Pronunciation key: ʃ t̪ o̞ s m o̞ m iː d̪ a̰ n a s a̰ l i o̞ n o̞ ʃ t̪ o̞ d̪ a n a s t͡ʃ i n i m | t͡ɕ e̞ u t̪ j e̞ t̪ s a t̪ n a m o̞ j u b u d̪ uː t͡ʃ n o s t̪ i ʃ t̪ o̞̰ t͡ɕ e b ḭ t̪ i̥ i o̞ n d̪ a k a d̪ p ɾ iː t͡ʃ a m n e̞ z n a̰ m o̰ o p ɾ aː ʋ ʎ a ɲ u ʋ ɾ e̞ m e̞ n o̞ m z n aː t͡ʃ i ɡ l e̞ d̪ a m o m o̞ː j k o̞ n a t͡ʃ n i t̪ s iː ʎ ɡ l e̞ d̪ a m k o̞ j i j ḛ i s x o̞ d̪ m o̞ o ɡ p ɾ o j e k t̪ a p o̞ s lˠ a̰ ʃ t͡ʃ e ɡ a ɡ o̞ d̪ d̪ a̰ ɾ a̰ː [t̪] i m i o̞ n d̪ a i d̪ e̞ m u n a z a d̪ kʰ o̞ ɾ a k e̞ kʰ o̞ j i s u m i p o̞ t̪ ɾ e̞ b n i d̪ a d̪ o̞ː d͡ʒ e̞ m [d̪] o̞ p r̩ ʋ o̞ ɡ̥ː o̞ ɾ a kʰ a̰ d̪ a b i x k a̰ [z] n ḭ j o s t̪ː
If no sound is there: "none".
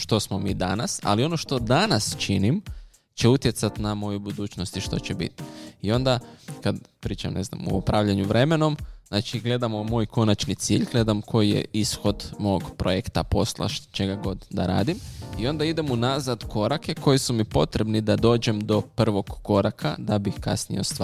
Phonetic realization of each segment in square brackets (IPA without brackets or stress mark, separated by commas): d̪, d̪, s